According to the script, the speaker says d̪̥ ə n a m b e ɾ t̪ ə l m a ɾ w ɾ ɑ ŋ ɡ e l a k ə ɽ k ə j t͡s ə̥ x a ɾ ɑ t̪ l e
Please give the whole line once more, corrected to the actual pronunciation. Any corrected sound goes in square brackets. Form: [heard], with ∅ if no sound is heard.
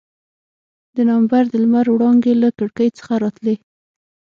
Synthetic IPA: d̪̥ ə n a m b [a] ɾ [d̪] ə l m a ɾ w [ɽ] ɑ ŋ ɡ e l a k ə ɽ k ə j t͡s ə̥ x a ɾ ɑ t̪ l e